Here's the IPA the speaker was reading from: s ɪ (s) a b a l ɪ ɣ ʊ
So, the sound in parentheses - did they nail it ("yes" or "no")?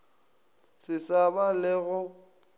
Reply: yes